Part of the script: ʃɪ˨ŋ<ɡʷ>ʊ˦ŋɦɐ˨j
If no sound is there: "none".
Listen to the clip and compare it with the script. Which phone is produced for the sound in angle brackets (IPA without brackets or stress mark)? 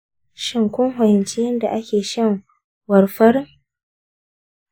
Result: kʷ